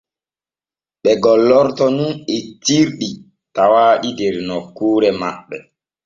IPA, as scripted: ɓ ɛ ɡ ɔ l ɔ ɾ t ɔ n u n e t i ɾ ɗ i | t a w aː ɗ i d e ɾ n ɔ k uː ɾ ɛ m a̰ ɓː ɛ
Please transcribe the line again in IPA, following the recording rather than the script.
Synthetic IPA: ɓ ɛ ɡ ɔ l ɔ ɾ t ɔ n u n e t i ɾ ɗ i | t a w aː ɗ i d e ɾ n ɔ k uː ɾ ɛ m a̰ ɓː ɛ